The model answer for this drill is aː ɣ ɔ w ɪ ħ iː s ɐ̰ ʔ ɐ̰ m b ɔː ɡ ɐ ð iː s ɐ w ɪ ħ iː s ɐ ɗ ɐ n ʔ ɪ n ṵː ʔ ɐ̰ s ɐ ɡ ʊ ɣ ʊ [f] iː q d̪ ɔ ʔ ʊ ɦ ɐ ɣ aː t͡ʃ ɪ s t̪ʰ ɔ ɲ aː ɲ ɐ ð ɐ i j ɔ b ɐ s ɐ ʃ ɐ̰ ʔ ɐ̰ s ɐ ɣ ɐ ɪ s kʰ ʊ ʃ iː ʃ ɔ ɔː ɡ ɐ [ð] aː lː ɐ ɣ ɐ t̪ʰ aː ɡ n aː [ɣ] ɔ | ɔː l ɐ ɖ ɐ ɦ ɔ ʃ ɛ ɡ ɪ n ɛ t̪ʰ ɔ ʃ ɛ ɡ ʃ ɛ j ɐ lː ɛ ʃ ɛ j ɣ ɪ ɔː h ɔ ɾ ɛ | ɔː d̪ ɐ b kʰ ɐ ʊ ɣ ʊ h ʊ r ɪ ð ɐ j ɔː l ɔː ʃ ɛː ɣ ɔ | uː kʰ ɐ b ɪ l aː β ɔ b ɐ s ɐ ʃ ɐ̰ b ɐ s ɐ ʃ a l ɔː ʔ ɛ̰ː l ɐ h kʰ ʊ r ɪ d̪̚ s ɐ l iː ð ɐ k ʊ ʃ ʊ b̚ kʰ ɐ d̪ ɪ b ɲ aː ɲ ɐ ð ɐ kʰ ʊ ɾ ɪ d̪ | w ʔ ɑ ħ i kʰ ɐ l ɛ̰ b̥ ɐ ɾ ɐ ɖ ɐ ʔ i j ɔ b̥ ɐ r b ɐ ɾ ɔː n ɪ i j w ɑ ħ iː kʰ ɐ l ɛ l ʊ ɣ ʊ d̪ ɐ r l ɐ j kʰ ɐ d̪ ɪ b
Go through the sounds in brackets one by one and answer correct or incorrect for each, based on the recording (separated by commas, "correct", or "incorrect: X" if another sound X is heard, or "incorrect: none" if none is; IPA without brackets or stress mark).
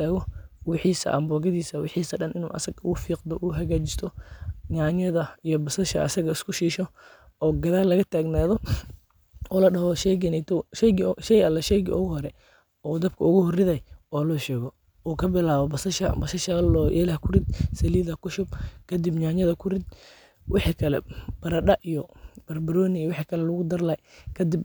correct, correct, incorrect: ð